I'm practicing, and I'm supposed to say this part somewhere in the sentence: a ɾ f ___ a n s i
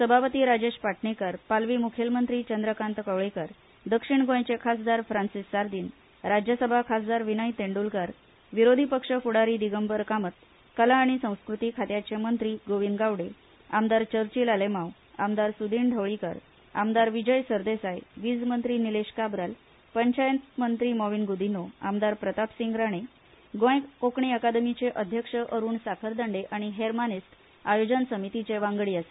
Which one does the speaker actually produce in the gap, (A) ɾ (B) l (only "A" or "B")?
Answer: A